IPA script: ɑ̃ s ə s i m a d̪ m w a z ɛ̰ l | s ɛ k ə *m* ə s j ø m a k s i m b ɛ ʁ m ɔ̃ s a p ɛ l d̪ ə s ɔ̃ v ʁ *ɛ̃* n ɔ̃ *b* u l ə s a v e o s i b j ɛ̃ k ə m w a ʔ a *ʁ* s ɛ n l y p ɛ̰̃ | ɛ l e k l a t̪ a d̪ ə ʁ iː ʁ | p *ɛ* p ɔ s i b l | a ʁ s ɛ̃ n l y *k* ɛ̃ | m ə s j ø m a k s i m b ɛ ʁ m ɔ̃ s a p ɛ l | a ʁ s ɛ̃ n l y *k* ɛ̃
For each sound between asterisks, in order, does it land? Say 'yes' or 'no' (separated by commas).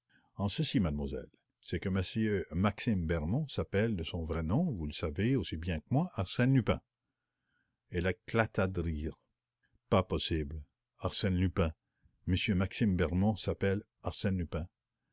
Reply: yes, no, no, yes, no, no, no